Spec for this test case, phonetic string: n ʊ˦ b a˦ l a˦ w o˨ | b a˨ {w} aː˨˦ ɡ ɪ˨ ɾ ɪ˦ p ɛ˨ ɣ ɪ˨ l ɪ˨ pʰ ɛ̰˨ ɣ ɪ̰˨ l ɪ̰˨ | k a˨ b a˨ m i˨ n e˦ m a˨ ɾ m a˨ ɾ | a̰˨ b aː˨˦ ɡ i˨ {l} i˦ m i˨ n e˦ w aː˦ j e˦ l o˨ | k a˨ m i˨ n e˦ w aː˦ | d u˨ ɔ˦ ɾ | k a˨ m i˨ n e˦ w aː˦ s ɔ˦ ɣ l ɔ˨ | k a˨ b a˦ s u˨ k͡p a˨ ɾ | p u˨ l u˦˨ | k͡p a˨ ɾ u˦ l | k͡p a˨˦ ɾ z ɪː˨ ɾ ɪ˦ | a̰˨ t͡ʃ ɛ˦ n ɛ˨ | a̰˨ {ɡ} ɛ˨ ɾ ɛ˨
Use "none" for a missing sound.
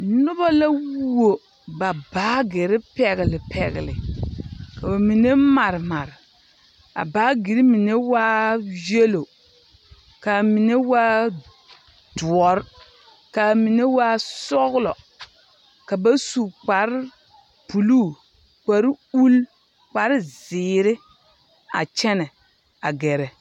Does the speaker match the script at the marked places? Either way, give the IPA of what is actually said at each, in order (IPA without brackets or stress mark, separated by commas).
b, ɾ, ɡ